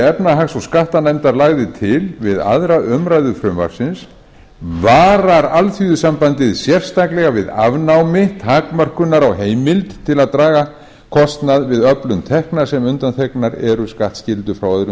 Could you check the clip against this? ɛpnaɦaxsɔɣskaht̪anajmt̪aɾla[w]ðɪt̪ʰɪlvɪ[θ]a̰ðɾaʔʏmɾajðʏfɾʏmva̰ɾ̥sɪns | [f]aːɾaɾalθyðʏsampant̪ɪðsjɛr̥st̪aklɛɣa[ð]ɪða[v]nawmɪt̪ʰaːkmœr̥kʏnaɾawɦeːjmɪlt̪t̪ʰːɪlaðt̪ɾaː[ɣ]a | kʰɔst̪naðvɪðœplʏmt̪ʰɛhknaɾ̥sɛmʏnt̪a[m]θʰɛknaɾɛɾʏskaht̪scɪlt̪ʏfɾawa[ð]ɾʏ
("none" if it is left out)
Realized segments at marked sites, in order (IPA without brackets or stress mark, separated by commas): ɣ, ð, v, v, v, ɣ, n, ð